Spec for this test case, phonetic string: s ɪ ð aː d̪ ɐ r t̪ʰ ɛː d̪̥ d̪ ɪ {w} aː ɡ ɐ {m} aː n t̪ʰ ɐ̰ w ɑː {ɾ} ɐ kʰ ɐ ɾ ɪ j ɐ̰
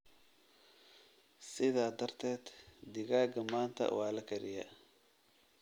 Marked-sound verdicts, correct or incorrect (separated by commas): incorrect, correct, incorrect